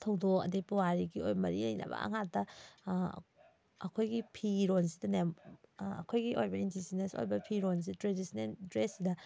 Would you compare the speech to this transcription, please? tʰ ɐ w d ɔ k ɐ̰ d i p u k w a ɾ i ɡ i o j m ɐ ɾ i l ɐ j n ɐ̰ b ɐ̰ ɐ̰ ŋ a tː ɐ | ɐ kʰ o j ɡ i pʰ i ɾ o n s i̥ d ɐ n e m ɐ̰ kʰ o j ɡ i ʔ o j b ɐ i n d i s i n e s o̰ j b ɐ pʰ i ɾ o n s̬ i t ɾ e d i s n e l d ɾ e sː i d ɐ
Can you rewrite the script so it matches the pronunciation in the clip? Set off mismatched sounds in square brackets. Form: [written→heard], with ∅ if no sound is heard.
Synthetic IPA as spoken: tʰ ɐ w d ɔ k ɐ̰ d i p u [k→∅] w a ɾ i ɡ i o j m ɐ ɾ i l ɐ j n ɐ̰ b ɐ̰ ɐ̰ ŋ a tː ɐ | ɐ kʰ o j ɡ i pʰ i ɾ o n s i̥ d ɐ n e m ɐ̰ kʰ o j ɡ i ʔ o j b ɐ i n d i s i n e s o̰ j b ɐ pʰ i ɾ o n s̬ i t ɾ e d i s n e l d ɾ e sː i d ɐ